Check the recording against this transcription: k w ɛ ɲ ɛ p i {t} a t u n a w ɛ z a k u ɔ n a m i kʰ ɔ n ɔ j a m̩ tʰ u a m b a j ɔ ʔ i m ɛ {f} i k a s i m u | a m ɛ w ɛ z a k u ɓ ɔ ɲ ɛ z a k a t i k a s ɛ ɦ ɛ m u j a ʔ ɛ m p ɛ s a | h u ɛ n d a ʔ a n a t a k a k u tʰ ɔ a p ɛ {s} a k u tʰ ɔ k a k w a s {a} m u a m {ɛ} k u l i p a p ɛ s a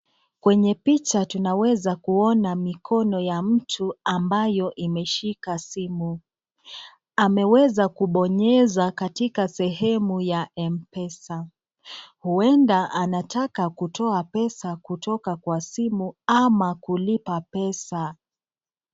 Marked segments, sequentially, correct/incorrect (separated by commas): incorrect, incorrect, correct, incorrect, incorrect